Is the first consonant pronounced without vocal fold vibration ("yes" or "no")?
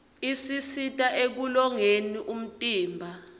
yes